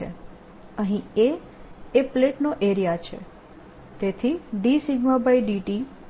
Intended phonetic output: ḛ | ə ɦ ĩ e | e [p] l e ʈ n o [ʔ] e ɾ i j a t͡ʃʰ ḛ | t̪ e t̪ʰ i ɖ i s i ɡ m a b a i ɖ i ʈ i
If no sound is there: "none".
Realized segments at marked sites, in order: p, ʔ

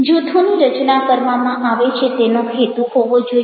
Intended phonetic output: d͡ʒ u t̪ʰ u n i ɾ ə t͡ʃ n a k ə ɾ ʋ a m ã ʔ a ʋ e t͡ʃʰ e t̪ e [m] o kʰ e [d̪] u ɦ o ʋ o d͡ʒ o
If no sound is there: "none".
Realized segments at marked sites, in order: n, t̪

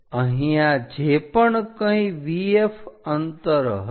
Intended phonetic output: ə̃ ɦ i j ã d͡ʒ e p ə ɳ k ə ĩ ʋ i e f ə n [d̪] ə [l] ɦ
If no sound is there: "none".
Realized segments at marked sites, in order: t̪, ɾ

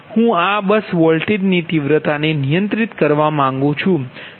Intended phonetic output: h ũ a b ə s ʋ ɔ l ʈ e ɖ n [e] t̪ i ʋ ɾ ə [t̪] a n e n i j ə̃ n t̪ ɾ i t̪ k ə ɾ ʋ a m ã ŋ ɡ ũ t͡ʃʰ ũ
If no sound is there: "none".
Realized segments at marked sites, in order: i, t̪

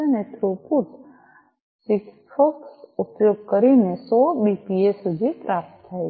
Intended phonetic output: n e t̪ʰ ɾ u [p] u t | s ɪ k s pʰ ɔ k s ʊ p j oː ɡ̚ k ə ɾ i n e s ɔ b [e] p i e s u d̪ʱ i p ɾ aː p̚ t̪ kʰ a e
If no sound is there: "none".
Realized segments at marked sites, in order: p, i

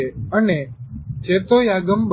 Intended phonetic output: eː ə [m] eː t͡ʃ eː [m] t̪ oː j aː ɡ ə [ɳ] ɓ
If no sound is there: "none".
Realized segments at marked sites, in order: n, none, m

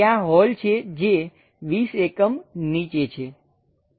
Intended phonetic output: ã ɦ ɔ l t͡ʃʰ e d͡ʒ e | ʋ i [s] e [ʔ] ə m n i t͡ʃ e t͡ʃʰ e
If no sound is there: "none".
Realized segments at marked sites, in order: s, k

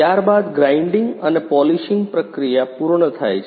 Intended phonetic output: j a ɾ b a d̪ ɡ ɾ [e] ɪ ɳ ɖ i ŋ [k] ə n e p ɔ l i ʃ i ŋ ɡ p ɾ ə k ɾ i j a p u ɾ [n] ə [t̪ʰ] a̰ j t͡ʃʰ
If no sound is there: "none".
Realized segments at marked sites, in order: a, ɡ, ɳ, t̪ʰ

